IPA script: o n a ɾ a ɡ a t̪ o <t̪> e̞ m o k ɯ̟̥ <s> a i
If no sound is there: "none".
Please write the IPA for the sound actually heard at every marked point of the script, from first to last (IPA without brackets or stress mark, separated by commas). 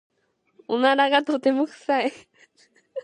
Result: t̪, s